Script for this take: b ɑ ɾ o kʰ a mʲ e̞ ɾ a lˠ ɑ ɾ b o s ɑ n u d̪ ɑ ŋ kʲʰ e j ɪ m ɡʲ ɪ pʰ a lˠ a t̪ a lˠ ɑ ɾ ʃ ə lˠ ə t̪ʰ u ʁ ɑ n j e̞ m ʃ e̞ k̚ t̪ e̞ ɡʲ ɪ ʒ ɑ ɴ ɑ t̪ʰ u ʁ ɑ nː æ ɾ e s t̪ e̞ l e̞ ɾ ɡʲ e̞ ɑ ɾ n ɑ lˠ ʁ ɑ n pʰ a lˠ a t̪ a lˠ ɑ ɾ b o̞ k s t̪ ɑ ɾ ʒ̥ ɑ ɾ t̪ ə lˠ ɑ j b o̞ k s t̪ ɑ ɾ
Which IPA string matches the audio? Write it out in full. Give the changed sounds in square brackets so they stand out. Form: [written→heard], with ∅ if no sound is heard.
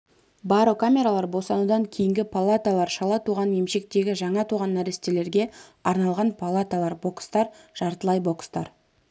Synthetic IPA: b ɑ ɾ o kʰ a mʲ e̞ ɾ a lˠ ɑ ɾ b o s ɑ n u d̪ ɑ ŋ kʲʰ e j ɪ [m→ŋ] ɡʲ ɪ pʰ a lˠ a t̪ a lˠ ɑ ɾ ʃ [ə→ɑ] lˠ [ə→ɑ] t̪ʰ u ʁ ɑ n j e̞ m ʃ e̞ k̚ t̪ e̞ ɡʲ ɪ ʒ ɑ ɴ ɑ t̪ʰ u ʁ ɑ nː æ ɾ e s t̪ e̞ l e̞ ɾ ɡʲ e̞ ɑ ɾ n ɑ lˠ ʁ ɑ n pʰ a lˠ a t̪ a lˠ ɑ ɾ b o̞ k s t̪ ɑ ɾ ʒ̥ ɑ ɾ t̪ ə lˠ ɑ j b o̞ k s t̪ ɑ ɾ